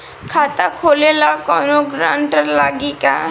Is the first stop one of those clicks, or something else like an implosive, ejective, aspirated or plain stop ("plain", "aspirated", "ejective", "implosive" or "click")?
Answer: aspirated